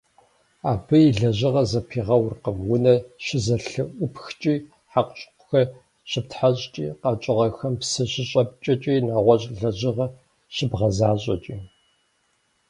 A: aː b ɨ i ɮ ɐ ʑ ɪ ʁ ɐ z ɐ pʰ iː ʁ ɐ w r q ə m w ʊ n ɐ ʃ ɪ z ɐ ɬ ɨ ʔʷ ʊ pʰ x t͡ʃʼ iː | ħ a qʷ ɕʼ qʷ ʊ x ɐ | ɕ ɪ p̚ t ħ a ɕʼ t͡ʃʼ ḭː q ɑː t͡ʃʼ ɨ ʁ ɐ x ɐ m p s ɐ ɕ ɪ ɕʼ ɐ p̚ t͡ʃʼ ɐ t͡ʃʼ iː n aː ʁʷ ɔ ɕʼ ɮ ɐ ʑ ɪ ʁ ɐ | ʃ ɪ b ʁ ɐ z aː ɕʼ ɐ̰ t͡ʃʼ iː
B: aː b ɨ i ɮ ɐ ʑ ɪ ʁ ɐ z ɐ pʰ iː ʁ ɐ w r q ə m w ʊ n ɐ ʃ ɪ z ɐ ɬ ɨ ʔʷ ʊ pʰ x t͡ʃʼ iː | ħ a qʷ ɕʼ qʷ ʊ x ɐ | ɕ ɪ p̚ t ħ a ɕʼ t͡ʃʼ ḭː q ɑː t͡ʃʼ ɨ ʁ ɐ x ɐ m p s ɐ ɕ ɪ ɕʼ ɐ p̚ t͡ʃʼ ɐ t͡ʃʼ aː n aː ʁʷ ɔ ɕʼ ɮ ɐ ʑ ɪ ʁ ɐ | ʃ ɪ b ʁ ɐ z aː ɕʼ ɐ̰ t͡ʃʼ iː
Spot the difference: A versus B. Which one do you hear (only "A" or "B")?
A